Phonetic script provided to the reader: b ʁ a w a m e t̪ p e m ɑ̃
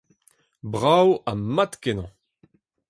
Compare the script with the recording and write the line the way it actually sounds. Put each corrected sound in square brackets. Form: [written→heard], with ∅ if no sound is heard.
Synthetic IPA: b ʁ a w a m [e→a] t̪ [p→k] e [m→n] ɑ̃

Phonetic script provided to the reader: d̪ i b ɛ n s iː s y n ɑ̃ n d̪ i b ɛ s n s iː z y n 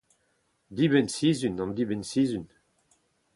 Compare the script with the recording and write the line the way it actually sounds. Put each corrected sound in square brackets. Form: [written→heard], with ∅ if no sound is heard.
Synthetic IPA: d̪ i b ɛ n s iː [s→z] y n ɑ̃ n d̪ i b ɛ [s→∅] n s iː z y n

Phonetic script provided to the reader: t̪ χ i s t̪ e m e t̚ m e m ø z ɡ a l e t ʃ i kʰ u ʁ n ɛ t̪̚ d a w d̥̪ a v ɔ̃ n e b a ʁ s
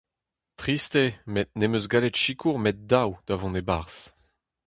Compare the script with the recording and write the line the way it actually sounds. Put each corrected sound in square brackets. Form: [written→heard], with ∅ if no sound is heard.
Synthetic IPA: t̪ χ i s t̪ e m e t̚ [m→n] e m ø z ɡ a l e t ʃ i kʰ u ʁ [n→m] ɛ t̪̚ d a w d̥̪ a v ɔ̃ n e b a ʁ s

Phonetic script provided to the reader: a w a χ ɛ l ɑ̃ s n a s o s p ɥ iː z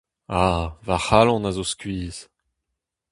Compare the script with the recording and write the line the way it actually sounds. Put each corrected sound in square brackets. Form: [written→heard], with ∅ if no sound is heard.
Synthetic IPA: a [w→v] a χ [ɛ→a] l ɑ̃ [s→∅] n a [s→z] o s [p→k] ɥ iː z

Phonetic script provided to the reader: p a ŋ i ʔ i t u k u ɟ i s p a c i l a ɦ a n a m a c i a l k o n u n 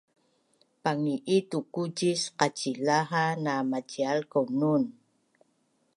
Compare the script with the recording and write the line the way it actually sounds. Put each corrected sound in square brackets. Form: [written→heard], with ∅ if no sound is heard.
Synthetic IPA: p a ŋ i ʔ i t u k u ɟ i s [p→q] a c i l a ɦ a n a m a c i a l k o n u n

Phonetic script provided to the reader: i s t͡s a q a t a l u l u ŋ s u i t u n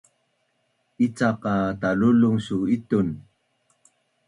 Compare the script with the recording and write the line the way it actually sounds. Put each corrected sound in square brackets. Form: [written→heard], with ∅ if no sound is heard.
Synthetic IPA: i [s→∅] t͡s a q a t a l u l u ŋ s u i t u n

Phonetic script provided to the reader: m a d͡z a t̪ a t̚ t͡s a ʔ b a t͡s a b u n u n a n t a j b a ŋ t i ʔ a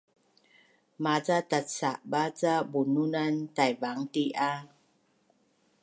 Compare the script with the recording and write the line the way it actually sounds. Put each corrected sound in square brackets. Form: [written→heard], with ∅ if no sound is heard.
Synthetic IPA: m a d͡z a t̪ a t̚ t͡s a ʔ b a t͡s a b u n u n a n t a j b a ŋ t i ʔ a

